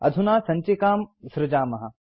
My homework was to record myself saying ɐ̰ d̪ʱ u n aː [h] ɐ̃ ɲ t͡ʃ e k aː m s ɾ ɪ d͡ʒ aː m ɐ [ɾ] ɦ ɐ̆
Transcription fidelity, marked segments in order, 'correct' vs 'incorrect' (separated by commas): incorrect, incorrect